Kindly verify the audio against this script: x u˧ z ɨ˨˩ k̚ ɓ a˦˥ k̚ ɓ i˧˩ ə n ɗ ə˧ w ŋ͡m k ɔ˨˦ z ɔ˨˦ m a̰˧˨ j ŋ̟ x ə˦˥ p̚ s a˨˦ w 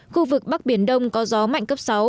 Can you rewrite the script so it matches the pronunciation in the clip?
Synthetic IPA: x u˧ v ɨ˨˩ k̚ ɓ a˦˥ k̚ ɓ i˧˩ ə n ɗ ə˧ w ŋ͡m k ɔ˨˦ z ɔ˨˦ m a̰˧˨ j ŋ̟ k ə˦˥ p̚ s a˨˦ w